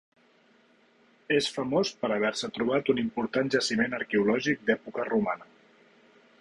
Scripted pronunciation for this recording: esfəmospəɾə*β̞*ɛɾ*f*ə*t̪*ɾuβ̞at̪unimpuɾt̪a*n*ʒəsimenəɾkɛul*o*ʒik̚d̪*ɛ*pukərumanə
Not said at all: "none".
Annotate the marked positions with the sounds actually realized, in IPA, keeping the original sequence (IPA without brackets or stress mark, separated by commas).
β̞, s, t̪, n, ɔ, ɛ